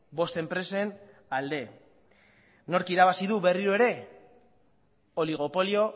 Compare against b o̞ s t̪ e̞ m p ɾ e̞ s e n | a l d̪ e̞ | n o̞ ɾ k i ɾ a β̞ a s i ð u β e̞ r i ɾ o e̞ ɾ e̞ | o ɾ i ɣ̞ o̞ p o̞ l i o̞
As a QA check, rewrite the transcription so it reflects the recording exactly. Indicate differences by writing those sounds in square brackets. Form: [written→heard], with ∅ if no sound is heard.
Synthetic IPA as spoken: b o̞ s t̪ e̞ m p ɾ e̞ s e n | a l d̪ e̞ | n o̞ ɾ k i ɾ a β̞ a s i ð u β e̞ r i ɾ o e̞ ɾ e̞ | o [ɾ→l] i ɣ̞ o̞ p o̞ l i o̞